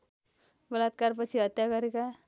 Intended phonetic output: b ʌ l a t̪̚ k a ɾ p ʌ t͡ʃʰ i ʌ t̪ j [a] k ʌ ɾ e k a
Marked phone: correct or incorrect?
correct